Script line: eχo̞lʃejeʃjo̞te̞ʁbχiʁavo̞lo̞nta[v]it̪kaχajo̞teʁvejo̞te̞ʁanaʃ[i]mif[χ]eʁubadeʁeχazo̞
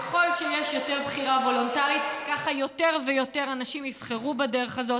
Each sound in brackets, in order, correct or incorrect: incorrect, correct, correct

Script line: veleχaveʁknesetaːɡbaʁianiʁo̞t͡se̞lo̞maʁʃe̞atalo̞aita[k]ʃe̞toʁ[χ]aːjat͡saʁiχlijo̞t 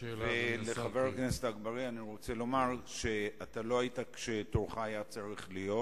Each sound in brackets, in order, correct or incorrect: correct, correct

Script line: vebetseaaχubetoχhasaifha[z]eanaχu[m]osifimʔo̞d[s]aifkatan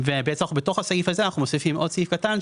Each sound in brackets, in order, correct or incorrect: correct, correct, correct

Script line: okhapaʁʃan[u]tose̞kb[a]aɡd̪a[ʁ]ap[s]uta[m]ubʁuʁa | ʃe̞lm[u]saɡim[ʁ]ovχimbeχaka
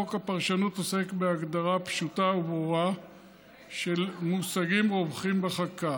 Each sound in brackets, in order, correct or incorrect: correct, incorrect, correct, incorrect, incorrect, correct, correct

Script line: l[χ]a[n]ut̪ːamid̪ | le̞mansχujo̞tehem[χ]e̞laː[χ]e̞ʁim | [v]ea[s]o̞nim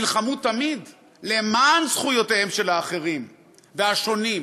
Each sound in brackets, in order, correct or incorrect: correct, incorrect, incorrect, correct, correct, incorrect

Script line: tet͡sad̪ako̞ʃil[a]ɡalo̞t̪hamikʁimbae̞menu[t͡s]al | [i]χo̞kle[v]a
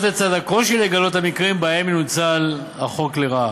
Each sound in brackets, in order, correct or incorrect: incorrect, correct, incorrect, incorrect

